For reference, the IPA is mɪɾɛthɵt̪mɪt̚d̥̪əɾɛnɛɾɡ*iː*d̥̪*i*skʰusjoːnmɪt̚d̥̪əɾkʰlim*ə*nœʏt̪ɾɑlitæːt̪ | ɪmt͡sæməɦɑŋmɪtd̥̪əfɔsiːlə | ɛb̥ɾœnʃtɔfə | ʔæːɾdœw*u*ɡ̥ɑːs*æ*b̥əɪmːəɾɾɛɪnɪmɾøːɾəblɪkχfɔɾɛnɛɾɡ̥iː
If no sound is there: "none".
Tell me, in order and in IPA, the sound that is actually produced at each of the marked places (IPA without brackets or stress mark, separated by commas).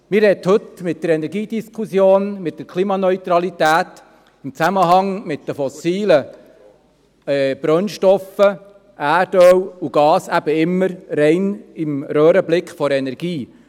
iː, i, ɑ, u, æ